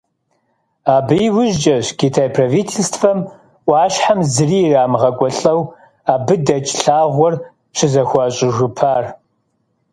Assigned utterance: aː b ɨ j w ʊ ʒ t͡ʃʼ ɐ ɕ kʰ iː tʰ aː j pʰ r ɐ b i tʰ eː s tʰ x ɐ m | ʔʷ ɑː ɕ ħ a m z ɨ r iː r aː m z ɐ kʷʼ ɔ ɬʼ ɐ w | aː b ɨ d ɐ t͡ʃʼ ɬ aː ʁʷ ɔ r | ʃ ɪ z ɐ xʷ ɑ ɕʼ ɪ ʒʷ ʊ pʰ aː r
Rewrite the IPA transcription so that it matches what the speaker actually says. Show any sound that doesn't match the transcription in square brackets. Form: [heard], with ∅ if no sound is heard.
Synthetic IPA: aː b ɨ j w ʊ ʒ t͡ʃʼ ɐ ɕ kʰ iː tʰ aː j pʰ r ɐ [v] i tʰ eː s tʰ [f] ɐ m | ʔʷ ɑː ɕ ħ a m z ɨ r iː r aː m [ʁ] ɐ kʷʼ ɔ ɬʼ ɐ w | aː b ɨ d ɐ t͡ʃʼ ɬ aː ʁʷ ɔ r | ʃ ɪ z ɐ xʷ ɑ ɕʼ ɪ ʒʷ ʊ pʰ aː r